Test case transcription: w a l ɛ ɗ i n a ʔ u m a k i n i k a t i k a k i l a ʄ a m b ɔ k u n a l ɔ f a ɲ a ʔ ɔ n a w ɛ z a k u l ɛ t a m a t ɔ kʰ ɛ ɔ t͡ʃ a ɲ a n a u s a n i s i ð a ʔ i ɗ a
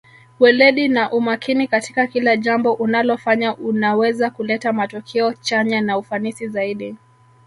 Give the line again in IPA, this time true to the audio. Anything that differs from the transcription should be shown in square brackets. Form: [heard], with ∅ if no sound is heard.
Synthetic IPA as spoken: w [ɛ] l ɛ ɗ i n a ʔ u m a k i n i k a t i k a k i l a ʄ a m b ɔ [ʔ] u n a l ɔ f a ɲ a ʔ [u] n a w ɛ z a k u l ɛ t a m a t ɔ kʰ ɛ ɔ t͡ʃ a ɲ a n a u [f] a n i s i [z] a [∅] i ɗ [i]